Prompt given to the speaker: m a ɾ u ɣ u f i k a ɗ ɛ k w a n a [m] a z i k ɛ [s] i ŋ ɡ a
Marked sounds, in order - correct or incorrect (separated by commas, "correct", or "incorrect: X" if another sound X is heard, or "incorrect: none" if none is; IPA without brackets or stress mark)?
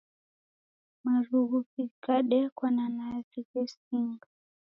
incorrect: n, correct